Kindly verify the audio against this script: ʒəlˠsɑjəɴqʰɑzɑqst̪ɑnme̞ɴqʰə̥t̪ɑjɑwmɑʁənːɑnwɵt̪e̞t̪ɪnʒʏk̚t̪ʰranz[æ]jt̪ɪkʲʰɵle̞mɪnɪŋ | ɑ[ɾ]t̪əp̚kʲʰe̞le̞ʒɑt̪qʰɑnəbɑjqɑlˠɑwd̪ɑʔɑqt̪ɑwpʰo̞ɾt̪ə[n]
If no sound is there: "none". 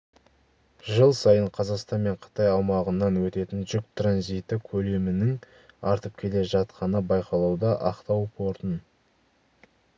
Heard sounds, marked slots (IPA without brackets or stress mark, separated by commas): i, ɾ, n